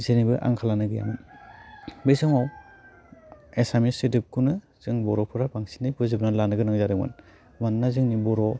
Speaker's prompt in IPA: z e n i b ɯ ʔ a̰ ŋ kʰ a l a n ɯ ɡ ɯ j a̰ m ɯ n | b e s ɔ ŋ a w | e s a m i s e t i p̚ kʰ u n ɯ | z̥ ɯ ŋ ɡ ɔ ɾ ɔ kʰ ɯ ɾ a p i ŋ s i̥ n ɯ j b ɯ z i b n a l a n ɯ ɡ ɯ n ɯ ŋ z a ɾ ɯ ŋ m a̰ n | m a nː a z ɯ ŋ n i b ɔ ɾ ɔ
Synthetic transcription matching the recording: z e n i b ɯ ʔ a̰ ŋ kʰ a l a n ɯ ɡ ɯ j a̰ m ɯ n | b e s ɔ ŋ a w | e s a m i s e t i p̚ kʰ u n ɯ | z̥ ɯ ŋ b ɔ ɾ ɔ pʰ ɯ ɾ a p a ŋ s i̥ n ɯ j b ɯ z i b n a l a n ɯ ɡ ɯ n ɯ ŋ z a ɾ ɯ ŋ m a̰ n | m a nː a z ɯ ŋ n i b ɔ ɾ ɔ